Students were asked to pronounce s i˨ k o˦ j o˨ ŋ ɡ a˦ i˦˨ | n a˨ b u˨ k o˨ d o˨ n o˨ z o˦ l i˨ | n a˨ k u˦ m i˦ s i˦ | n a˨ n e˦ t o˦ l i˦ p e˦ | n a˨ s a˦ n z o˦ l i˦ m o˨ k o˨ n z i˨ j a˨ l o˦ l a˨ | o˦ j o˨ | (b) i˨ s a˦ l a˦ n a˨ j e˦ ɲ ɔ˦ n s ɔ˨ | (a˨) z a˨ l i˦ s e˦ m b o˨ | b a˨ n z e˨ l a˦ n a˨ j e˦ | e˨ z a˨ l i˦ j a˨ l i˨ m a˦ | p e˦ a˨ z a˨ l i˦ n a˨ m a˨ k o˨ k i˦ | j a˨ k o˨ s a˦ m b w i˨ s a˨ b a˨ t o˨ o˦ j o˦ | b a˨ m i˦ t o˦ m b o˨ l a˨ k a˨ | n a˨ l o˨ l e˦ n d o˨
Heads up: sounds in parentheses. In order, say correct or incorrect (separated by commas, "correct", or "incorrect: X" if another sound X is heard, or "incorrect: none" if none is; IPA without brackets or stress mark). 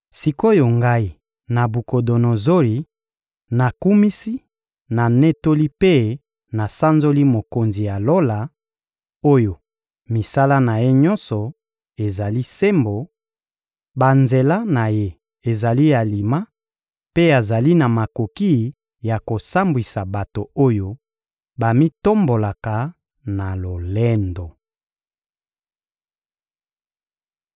incorrect: m, incorrect: e˨